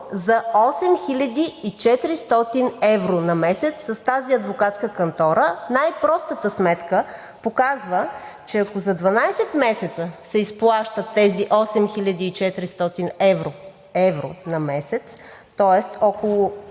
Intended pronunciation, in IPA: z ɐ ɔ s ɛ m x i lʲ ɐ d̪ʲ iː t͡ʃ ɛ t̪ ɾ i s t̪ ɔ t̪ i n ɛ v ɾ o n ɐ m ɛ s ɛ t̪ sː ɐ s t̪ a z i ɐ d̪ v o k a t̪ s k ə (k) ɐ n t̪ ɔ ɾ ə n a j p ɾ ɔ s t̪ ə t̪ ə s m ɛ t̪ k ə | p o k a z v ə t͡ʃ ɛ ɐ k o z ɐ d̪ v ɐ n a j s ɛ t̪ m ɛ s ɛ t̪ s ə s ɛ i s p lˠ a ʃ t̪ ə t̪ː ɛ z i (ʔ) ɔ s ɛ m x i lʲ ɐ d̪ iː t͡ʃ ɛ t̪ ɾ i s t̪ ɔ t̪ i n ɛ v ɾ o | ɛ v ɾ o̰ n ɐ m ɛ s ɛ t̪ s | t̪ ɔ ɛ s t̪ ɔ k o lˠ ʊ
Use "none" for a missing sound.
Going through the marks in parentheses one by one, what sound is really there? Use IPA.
k, ʔ

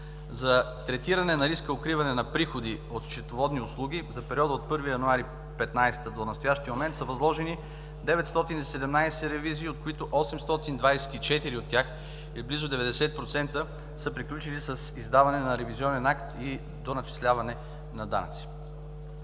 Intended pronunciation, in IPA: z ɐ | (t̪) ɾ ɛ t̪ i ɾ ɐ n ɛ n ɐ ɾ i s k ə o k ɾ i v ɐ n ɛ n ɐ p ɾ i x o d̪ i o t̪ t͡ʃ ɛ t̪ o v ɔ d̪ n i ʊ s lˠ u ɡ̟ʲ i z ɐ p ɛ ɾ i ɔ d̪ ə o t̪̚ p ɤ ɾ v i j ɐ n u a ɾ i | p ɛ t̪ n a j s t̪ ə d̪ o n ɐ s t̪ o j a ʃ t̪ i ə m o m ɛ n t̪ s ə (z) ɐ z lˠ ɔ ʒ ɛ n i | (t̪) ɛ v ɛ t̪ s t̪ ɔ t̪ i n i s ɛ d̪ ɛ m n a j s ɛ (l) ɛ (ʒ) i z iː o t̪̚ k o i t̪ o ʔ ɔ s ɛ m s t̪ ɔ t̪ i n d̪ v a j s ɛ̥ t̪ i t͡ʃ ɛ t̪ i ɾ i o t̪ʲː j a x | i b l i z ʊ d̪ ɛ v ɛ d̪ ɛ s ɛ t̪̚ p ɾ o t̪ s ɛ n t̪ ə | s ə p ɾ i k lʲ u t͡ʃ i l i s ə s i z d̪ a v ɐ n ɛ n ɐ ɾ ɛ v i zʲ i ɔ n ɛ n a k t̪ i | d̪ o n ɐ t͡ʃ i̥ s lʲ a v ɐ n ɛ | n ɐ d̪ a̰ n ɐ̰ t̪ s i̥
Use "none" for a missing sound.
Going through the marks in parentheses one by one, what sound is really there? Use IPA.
t̪, v, d̪, ɾ, v

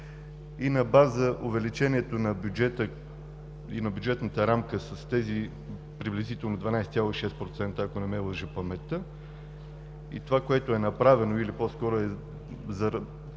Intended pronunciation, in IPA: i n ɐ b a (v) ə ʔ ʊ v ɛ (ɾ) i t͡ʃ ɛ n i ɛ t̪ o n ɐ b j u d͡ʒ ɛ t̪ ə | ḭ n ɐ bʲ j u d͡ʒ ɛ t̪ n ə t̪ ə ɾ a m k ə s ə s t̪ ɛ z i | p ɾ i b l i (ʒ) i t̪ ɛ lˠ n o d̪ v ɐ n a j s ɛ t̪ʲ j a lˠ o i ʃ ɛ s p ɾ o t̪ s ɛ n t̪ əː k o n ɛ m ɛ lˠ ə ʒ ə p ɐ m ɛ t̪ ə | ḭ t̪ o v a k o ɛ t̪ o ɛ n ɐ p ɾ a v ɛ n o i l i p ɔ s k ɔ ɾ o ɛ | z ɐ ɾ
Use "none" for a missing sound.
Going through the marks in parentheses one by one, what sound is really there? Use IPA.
z, l, z

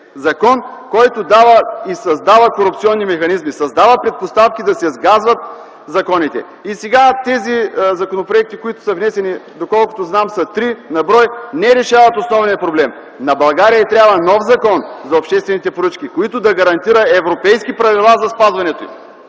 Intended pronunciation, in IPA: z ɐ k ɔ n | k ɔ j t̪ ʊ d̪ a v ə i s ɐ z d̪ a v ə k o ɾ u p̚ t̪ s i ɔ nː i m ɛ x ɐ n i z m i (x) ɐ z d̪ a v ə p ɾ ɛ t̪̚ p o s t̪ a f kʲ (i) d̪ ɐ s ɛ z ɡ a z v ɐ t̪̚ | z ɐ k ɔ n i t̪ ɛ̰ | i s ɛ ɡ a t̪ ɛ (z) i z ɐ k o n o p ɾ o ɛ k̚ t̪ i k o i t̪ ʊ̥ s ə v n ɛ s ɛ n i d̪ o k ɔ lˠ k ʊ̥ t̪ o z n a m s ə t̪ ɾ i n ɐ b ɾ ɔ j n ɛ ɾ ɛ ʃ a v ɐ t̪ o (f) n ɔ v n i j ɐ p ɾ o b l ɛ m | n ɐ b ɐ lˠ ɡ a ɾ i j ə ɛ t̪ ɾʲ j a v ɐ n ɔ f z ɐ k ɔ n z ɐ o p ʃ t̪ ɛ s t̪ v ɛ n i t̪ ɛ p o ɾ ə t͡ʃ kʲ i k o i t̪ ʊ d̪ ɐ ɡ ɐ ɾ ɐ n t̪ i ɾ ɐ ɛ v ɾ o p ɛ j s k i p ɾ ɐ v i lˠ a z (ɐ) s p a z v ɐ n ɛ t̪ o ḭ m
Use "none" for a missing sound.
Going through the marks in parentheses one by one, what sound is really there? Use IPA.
s, i, z, s, ɐ

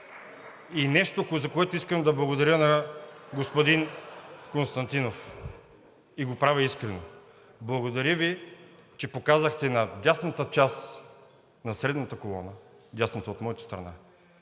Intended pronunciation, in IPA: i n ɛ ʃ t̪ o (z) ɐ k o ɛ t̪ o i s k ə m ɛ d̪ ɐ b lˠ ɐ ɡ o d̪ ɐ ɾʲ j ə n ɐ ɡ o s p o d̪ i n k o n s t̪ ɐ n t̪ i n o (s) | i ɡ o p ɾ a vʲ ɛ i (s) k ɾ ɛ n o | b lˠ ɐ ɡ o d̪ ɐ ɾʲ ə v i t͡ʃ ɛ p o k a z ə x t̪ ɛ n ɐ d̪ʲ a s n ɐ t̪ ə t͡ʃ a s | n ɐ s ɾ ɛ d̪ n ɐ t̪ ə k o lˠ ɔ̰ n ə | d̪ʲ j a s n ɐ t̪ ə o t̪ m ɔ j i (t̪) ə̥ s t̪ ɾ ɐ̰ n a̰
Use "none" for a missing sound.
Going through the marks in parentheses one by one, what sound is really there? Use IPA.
z, f, s, t̪

